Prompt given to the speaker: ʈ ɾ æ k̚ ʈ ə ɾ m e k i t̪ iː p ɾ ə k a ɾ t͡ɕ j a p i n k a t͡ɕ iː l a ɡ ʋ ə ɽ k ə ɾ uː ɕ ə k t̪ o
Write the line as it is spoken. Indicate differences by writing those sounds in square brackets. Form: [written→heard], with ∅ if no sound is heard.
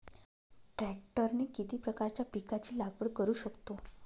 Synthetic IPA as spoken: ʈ ɾ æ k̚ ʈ ə ɾ [m→n] e k i t̪ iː p ɾ ə k a ɾ t͡ɕ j a p i [n→∅] k a t͡ɕ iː l a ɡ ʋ ə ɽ k ə ɾ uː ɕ ə k t̪ o